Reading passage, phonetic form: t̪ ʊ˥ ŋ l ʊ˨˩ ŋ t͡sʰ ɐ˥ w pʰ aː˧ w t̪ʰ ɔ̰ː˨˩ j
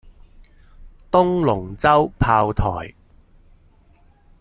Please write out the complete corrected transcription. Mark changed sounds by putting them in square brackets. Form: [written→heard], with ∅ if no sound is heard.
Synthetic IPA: t̪ ʊ˥ ŋ l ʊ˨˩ ŋ [t͡sʰ→t͡s] ɐ˥ w pʰ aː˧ w t̪ʰ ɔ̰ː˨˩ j